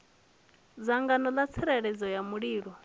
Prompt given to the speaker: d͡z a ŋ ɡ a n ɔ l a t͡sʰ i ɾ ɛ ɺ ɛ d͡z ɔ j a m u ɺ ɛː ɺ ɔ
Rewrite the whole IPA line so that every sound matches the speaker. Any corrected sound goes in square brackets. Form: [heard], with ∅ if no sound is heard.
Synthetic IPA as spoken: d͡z a ŋ ɡ a n ɔ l a t͡sʰ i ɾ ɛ ɺ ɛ d͡z ɔ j a m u ɺ [iː] ɺ ɔ